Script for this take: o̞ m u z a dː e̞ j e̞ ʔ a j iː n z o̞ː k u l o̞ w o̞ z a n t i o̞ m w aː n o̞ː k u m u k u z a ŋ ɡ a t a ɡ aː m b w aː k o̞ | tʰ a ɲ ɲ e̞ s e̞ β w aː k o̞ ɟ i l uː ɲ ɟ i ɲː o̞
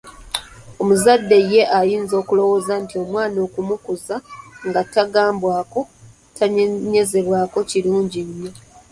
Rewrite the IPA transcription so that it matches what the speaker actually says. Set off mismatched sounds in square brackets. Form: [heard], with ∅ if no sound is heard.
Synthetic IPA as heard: o̞ m u z a dː e̞ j e̞ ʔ a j iː n z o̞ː k u l o̞ w o̞ z a n t i o̞ m w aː n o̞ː k u m u k u z a ŋ ɡ a t a ɡ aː m b w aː k o̞ | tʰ a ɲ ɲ e̞ [z] e̞ β w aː k o̞ [c] i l uː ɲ ɟ i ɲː o̞